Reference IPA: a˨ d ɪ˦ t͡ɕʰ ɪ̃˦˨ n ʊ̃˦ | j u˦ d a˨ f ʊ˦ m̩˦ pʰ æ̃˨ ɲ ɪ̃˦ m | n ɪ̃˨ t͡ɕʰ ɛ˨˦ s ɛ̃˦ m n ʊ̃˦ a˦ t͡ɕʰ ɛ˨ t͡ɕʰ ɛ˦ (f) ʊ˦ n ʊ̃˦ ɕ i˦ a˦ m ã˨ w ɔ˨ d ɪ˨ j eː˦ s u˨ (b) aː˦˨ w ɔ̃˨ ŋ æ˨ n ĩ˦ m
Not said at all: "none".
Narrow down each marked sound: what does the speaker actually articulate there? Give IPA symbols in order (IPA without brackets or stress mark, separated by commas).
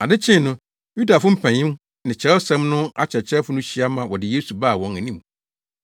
f, b